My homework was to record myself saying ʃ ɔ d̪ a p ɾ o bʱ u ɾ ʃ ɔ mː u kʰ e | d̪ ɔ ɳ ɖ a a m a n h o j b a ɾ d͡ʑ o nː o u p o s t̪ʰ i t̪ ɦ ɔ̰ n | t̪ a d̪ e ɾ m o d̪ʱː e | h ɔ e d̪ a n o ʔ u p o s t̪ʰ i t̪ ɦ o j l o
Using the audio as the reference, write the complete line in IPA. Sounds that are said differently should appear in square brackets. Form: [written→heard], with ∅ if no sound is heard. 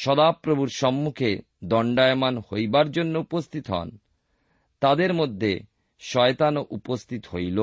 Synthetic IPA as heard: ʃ ɔ d̪ a p ɾ o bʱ u ɾ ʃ ɔ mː u kʰ e | d̪ ɔ ɳ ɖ a [a→e] m a n h o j b a ɾ d͡ʑ o nː o u p o s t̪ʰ i t̪ ɦ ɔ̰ n | t̪ a d̪ e ɾ m o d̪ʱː e | [h→ʃ] ɔ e [d̪→t̪] a n o ʔ u p o s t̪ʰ i t̪ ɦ o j l o